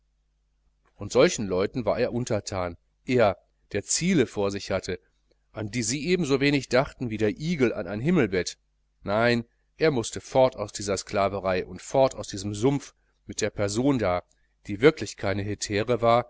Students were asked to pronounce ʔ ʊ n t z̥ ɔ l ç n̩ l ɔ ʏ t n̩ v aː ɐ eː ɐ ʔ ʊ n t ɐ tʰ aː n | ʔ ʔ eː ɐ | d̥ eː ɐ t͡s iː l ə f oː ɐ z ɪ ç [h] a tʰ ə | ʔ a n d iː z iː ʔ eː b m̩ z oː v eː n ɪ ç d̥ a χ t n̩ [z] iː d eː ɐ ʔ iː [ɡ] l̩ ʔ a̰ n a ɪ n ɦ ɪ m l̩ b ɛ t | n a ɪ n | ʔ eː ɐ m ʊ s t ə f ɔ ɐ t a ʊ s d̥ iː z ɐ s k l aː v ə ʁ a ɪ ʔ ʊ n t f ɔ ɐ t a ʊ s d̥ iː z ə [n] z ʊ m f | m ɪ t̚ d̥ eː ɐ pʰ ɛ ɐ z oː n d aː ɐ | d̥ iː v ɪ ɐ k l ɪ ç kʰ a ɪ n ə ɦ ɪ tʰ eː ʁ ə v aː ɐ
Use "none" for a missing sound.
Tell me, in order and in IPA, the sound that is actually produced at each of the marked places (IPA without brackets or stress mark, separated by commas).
h, v, ɡ, m